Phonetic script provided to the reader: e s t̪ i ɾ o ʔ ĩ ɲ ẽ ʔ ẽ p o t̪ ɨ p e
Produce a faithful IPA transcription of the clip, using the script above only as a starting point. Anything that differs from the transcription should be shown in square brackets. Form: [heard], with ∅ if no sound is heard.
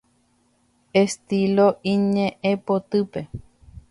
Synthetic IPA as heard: e s t̪ i [l] o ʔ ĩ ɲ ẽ ʔ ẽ p o t̪ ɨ p e